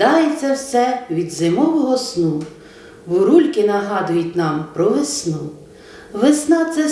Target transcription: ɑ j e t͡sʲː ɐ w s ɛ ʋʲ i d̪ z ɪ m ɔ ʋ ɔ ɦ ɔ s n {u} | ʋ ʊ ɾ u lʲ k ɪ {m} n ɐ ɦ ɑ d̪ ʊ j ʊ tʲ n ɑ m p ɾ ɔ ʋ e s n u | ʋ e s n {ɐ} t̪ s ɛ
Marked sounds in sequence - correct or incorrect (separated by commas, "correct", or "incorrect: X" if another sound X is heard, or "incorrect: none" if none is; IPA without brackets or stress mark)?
correct, incorrect: none, incorrect: ɑ